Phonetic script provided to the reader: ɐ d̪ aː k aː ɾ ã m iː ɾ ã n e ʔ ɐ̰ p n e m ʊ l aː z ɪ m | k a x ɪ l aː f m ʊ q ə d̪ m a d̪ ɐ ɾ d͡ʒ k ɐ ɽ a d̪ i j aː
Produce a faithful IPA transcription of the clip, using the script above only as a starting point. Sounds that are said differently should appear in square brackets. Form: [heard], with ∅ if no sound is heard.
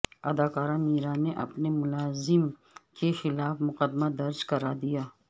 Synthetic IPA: ɐ d̪ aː k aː ɾ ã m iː ɾ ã n e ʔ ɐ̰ p n e m ʊ l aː z ɪ m | k [e] x ɪ l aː f m ʊ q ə d̪ m a d̪ ɐ ɾ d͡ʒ k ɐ [ɾ] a d̪ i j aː